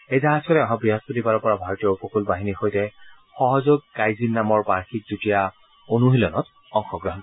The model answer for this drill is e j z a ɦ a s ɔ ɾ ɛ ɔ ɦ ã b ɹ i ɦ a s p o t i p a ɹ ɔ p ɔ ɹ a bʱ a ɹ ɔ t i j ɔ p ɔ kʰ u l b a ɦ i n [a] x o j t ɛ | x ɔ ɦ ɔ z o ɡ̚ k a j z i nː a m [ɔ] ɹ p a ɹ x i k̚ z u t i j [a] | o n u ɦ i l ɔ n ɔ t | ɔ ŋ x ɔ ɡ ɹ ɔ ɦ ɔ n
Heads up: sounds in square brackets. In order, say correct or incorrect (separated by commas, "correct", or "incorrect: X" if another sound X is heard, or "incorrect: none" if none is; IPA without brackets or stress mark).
incorrect: i, correct, correct